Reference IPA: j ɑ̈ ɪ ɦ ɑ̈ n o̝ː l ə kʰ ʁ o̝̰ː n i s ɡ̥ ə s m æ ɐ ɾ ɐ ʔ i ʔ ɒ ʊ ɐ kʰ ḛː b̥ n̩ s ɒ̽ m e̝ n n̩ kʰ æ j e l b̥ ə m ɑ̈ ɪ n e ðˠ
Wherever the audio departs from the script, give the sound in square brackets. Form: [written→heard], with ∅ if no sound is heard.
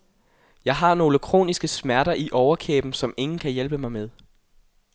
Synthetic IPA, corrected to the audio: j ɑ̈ ɪ ɦ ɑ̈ n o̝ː l ə kʰ ʁ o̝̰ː n i s ɡ̥ ə s m æ ɐ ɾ ɐ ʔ i ʔ ɒ ʊ ɐ kʰ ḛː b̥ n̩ s ɒ̽ m e̝ [n→ŋ] n̩ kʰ æ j e l b̥ ə m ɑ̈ ɪ [n→m] e ðˠ